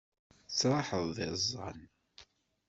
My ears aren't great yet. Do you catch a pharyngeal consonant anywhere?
yes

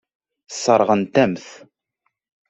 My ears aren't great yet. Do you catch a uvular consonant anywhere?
yes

